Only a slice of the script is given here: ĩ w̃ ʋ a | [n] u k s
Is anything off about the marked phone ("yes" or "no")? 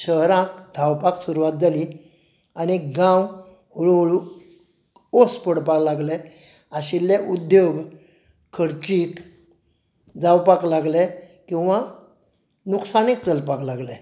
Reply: no